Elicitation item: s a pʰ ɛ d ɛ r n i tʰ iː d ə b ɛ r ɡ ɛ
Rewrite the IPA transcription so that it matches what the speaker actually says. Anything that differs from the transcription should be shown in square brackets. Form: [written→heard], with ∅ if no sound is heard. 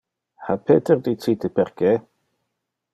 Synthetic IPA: [s→h] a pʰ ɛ d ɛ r [n→d] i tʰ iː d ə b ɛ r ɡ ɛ